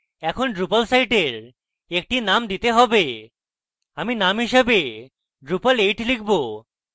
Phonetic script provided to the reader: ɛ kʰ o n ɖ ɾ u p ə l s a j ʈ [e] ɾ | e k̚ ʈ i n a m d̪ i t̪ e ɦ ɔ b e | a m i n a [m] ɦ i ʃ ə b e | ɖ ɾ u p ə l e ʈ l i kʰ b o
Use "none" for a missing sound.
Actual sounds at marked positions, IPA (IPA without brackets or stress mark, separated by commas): e, m